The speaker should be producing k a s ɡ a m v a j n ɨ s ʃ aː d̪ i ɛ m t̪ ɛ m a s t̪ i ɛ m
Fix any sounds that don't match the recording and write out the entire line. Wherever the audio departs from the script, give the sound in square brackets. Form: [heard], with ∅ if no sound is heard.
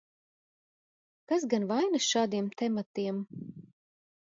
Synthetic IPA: k a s ɡ a [n] v a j n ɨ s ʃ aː d̪ i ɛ m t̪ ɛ m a [∅] t̪ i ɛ m